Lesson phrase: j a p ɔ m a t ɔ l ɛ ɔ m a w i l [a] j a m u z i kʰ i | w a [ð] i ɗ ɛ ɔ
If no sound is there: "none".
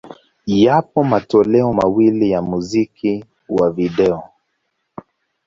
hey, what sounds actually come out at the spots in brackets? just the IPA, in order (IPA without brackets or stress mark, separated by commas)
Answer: i, v